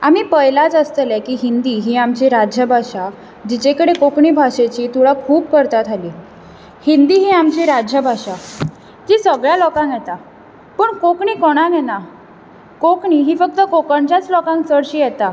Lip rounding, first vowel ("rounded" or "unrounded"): unrounded